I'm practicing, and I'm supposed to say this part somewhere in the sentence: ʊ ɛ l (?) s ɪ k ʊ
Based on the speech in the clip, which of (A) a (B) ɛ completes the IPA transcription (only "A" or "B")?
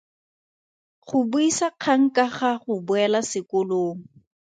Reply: A